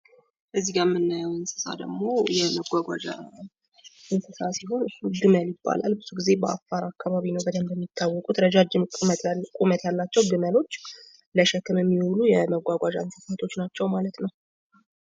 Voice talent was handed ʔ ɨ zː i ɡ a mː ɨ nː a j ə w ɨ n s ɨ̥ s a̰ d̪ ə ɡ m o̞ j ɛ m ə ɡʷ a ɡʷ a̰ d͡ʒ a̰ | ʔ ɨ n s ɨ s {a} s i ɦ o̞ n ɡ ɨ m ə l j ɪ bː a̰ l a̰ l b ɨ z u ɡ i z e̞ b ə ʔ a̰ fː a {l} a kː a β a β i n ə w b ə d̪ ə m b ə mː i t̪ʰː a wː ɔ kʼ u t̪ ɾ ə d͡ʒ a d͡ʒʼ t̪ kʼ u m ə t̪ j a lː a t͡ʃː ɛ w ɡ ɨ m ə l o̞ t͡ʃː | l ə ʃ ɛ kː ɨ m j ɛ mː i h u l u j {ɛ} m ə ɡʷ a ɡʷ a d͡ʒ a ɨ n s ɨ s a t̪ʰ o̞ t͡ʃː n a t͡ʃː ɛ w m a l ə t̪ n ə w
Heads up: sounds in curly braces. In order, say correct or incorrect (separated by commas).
correct, incorrect, correct